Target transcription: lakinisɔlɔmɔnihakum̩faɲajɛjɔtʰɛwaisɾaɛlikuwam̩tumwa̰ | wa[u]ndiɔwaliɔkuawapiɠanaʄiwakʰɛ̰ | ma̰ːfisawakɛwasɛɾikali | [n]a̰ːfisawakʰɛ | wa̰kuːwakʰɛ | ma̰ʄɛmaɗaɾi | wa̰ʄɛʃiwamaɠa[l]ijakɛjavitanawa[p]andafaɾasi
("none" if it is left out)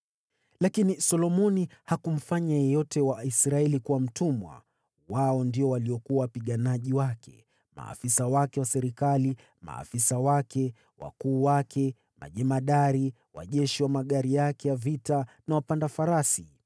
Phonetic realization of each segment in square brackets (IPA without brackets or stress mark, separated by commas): ɔ, m, ɾ, p